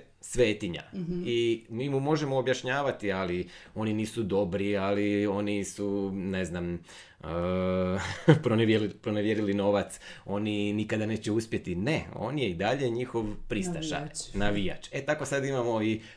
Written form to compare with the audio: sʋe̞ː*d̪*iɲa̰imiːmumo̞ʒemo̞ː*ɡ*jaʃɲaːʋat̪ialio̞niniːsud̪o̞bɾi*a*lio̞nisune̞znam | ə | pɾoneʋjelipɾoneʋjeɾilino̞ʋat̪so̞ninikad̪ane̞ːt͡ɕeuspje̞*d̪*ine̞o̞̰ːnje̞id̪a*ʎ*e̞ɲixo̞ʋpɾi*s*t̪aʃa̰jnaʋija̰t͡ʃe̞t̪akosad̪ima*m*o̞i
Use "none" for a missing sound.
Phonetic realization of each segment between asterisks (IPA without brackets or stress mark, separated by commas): t̪, b, a, t̪, ʎ, s, m